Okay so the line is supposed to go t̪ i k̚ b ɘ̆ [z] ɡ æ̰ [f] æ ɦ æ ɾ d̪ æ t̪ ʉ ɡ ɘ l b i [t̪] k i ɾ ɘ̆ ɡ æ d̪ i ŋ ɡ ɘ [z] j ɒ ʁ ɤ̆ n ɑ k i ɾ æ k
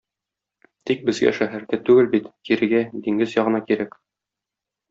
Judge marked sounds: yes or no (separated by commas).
yes, no, yes, yes